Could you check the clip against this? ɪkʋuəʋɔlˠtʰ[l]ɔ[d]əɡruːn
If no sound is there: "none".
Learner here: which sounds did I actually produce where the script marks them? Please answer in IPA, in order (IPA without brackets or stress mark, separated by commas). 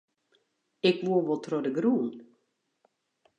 r, d